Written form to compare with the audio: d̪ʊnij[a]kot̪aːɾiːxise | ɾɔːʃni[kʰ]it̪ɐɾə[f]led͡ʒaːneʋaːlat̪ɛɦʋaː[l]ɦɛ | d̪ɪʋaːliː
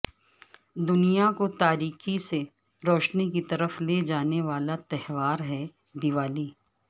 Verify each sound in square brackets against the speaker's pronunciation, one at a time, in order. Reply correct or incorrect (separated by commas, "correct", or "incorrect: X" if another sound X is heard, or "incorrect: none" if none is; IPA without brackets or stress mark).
correct, incorrect: k, correct, incorrect: ɾ